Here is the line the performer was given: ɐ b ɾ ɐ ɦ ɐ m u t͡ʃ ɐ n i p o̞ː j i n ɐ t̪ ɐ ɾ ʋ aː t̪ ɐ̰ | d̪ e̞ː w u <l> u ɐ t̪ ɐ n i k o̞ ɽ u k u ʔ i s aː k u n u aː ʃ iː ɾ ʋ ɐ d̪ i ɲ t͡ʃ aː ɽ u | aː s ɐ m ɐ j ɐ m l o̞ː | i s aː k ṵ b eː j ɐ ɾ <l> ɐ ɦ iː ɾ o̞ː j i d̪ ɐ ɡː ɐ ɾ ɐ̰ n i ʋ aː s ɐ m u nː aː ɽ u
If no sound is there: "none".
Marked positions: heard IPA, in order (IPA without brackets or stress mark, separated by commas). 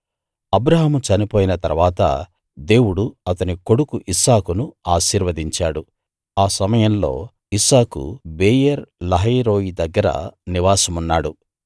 ɽ, l